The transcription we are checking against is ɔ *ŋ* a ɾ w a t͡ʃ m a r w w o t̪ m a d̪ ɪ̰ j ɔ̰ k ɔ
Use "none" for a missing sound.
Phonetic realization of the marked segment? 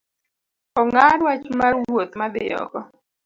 ŋ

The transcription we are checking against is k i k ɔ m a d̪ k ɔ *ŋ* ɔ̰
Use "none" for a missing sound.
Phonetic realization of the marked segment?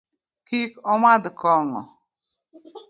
ŋ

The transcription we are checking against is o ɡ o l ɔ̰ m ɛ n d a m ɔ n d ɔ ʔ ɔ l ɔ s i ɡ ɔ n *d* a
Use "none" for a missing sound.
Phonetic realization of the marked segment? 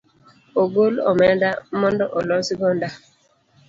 d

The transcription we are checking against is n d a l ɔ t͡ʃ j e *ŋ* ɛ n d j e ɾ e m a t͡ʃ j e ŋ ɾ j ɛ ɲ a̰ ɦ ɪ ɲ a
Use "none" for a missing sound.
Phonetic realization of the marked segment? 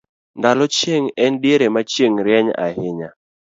ŋ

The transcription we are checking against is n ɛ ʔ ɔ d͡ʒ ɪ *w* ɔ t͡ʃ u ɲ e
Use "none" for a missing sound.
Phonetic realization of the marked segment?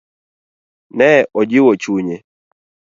w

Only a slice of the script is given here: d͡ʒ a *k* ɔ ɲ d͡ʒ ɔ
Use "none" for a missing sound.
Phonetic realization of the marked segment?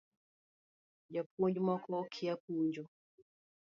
p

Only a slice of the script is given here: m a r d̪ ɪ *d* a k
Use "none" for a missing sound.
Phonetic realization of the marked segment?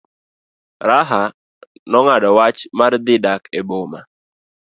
d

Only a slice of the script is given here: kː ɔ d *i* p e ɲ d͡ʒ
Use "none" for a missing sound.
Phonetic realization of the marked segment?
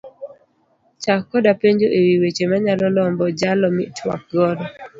a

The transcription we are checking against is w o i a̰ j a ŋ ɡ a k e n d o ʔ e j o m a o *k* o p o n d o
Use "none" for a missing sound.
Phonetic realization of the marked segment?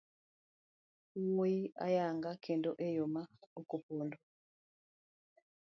k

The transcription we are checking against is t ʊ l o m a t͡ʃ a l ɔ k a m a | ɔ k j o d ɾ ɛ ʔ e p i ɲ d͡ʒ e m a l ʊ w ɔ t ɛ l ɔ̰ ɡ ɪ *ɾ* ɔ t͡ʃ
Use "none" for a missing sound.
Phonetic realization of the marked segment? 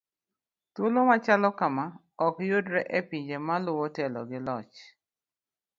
l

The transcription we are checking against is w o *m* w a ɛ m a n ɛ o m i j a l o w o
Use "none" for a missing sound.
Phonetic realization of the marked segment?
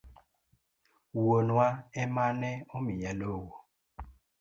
n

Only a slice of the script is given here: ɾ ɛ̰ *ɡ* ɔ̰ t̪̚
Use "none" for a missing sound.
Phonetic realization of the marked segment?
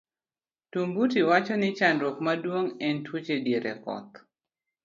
k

